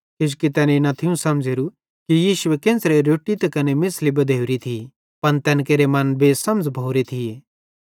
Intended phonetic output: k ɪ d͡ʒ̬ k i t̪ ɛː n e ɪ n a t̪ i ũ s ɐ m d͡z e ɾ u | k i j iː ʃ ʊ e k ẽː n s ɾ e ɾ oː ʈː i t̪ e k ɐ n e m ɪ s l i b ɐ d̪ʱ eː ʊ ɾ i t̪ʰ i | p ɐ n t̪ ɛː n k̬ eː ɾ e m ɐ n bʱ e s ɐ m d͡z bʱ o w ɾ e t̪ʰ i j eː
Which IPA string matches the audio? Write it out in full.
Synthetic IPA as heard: k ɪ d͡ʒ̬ k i t̪ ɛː n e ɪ n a t̪ʰ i ũ s ɐ m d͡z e ɾ u | k i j iː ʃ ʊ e k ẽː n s ɾ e ɾ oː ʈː i t̪ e k ɐ n e m ɪ s l i b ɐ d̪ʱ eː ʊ ɾ i t̪ʰ i | p ɐ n t̪ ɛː n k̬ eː ɾ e m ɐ n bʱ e s ɐ m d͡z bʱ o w ɾ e t̪ʰ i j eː